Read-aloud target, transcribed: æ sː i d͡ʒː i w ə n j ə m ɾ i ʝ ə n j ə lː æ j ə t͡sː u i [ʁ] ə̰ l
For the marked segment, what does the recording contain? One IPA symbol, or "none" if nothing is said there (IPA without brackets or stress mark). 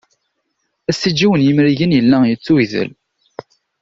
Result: ð